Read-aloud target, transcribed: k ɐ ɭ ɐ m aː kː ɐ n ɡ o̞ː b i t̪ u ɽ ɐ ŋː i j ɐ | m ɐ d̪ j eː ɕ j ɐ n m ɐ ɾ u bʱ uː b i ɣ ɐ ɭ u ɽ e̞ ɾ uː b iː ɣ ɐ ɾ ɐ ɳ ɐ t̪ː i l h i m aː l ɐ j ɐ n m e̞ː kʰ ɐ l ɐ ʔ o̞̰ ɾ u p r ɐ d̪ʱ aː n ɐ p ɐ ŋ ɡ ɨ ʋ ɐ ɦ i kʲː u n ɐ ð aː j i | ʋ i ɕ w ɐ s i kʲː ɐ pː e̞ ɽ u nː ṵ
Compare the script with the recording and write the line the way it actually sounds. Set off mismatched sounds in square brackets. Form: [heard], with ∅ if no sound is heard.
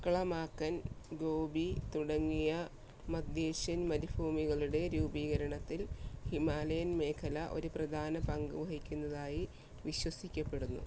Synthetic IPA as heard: k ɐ ɭ ɐ m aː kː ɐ n ɡ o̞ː b i t̪ u ɽ ɐ ŋː i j ɐ | m ɐ d̪ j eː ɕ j ɐ n m ɐ ɾ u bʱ uː [m] i ɣ ɐ ɭ u ɽ e̞ ɾ uː b iː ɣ ɐ ɾ ɐ ɳ ɐ t̪ː i l h i m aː l ɐ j ɐ n m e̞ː kʰ ɐ l ɐ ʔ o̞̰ ɾ u p r ɐ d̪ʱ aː n ɐ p ɐ ŋ ɡ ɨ ʋ ɐ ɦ i kʲː u [nː] ɐ ð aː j i | ʋ i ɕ w ɐ s i kʲː ɐ pː e̞ ɽ u nː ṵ